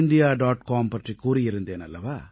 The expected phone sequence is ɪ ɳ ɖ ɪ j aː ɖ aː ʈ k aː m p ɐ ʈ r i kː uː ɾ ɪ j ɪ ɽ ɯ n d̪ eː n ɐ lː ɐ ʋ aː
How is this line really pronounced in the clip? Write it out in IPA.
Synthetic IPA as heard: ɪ ɳ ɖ ɪ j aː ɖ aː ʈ k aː m p ɐ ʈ r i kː uː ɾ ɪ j ɪ ɾ ɯ n d̪ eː n ɐ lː ɐ ʋ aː